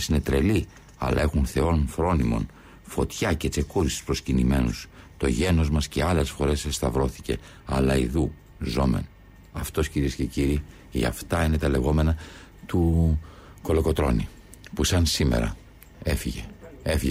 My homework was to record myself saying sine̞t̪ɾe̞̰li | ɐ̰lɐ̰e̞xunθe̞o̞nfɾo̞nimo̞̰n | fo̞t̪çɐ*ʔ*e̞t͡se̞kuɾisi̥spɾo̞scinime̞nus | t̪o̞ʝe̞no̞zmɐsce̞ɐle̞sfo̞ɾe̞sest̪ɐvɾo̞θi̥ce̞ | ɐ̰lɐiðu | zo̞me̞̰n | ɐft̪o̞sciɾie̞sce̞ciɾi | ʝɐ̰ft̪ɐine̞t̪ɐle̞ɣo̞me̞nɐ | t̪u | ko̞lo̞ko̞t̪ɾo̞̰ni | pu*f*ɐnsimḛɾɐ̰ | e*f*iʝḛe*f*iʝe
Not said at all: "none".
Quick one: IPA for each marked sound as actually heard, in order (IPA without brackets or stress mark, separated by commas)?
c, s, f, f